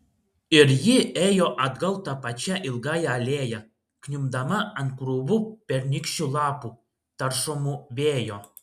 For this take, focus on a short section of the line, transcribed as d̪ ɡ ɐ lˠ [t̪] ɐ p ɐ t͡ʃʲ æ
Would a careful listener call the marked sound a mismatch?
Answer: no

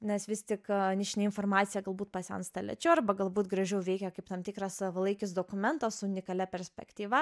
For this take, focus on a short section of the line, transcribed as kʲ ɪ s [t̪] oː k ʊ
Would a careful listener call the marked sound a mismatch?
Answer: yes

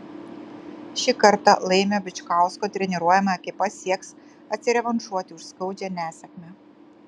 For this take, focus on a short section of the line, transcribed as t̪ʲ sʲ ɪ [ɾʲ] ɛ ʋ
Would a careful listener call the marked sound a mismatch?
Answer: no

